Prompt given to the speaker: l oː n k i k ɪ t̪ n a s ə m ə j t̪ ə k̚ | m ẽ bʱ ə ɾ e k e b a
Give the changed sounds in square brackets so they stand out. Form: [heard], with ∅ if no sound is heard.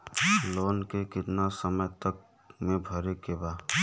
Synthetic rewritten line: l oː n k [e] k ɪ t̪ n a s ə m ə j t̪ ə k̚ | m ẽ bʱ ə ɾ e k e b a